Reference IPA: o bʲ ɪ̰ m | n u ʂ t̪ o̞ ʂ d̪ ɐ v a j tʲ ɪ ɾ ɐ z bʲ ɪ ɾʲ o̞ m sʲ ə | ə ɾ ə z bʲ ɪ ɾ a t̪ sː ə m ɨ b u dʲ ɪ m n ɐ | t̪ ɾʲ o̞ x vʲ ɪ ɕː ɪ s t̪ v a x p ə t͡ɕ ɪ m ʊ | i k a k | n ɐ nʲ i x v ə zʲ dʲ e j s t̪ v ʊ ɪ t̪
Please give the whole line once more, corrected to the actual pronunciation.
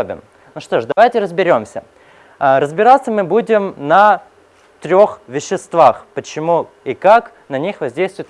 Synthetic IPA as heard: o bʲ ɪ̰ m | n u ʂ t̪ o̞ ʂ d̪ ɐ v a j tʲ ɪ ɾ ə z bʲ ɪ ɾʲ o̞ m sʲ ə | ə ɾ ə z bʲ ɪ ɾ a t̪ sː ə m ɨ b u dʲ ɪ m n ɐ | t̪ ɾʲ o̞ x vʲ ɪ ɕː ɪ s t̪ v a x p ə t͡ɕ ɪ m u | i k a k | n ɐ nʲ i x v ɐ zʲ dʲ e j s t̪ v ʊ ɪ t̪